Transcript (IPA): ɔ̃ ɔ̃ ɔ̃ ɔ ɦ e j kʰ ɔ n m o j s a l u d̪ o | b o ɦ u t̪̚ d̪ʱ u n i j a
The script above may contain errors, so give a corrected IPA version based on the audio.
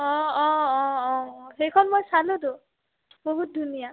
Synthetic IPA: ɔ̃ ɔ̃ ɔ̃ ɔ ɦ e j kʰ ɔ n m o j s a l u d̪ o | b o ɦ u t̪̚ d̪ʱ u n i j a